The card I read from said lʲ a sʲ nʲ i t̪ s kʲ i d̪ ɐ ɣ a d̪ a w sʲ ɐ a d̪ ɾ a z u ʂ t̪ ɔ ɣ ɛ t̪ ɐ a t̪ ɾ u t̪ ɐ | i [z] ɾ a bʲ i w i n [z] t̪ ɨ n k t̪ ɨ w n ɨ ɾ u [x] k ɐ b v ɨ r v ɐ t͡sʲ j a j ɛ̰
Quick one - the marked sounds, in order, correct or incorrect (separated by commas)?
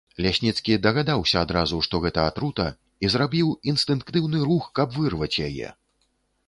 correct, incorrect, correct